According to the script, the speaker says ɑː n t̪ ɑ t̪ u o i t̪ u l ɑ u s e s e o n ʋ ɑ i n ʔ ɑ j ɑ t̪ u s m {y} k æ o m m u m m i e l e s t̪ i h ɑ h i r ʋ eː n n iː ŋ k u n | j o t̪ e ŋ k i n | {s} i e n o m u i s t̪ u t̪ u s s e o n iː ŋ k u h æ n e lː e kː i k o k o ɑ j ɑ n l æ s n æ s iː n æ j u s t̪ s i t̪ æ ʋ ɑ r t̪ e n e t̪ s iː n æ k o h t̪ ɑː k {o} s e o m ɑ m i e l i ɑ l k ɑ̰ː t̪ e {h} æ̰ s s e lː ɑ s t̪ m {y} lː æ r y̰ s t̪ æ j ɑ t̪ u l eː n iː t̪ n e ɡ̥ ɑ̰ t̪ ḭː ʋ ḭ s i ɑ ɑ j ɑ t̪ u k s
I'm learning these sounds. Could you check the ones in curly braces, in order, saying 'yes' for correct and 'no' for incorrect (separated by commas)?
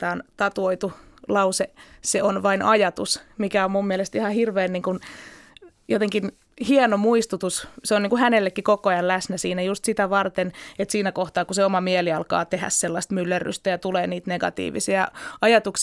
no, no, no, yes, yes